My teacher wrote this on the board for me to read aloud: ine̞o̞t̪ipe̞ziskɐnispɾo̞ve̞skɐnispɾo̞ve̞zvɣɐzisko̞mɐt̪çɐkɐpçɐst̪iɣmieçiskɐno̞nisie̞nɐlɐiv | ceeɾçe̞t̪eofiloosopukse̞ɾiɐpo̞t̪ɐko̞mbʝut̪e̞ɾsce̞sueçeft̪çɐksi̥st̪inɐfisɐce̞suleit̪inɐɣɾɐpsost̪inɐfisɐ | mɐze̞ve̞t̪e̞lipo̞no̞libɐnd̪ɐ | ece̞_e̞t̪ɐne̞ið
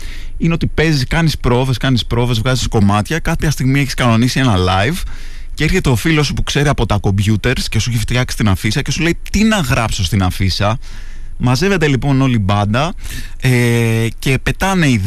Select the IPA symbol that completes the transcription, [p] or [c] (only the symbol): p